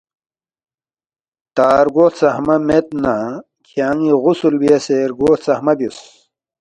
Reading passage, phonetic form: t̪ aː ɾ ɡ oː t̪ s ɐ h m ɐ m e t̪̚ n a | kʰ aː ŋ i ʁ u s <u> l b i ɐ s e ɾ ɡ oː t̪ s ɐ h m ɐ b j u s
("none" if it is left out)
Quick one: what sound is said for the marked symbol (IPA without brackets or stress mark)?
u